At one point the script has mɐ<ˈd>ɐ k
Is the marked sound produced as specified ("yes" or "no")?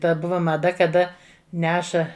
yes